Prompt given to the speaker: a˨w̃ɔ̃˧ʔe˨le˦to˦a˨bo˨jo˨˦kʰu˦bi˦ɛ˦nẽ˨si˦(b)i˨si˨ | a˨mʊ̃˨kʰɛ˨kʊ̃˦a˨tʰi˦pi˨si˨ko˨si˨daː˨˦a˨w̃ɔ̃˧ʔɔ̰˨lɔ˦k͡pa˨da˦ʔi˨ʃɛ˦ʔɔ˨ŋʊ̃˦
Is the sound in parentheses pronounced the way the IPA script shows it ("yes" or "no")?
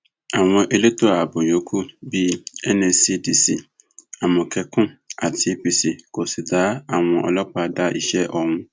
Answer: no